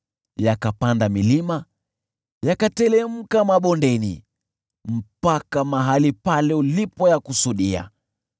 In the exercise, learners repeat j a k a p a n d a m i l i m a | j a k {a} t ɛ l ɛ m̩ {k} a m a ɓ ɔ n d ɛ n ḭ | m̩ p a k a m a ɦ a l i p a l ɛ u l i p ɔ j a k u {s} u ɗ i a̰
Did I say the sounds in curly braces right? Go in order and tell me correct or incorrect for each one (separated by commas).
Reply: correct, correct, correct